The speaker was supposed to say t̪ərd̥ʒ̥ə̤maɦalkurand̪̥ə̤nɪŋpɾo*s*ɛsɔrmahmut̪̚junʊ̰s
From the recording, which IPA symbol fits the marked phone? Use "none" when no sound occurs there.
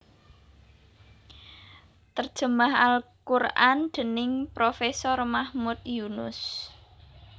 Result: f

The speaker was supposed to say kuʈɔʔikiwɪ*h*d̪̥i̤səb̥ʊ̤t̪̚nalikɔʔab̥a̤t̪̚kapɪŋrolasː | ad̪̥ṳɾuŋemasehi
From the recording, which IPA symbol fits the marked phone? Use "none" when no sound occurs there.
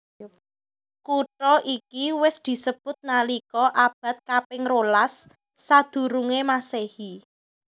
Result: s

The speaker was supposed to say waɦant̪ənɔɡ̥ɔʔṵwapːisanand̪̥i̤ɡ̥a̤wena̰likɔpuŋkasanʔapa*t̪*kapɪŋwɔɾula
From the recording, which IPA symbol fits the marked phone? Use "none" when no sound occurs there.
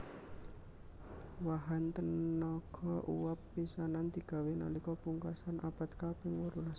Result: t̪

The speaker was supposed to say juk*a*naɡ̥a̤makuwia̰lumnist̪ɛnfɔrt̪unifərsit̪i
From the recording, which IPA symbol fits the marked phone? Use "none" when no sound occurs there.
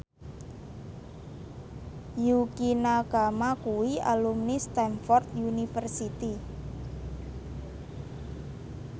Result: i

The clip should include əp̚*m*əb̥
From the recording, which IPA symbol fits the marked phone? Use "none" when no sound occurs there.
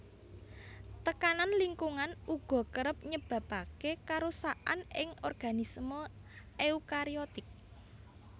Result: ɲ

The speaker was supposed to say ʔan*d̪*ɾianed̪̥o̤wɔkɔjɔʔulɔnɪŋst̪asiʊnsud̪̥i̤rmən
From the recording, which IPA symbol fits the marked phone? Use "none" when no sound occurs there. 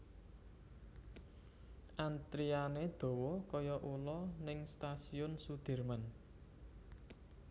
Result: t̪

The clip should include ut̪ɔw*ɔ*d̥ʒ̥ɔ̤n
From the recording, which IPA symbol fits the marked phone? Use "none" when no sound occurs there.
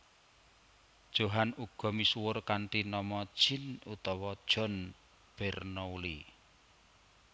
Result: ɔ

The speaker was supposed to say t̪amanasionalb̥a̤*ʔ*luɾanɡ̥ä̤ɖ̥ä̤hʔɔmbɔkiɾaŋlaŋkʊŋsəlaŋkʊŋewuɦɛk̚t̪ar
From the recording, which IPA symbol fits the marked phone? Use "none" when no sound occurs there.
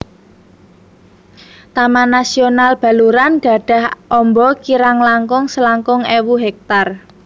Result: none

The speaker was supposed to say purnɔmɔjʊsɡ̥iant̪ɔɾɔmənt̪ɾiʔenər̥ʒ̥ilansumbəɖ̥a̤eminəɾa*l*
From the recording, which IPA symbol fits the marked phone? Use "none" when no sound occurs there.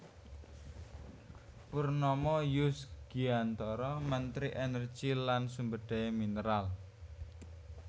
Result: l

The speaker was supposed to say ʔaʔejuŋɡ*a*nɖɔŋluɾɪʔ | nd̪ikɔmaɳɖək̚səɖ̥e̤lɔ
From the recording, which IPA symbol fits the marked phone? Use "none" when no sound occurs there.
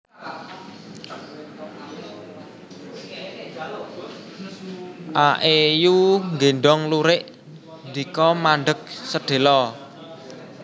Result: e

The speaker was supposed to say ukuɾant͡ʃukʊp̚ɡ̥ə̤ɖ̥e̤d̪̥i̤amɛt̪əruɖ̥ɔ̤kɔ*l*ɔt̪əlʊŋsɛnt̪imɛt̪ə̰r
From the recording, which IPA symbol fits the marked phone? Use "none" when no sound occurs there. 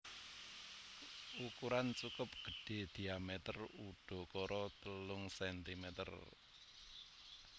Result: ɾ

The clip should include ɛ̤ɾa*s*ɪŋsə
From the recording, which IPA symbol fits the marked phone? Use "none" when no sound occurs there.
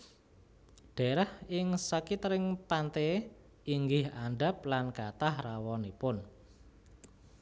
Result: h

